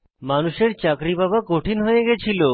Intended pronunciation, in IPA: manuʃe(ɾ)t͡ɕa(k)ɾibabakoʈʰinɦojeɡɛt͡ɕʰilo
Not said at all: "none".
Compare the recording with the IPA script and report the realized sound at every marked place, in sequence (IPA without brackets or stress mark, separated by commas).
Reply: ɾ, k